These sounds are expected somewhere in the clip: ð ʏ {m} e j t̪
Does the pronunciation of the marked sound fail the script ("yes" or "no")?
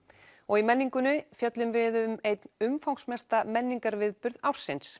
no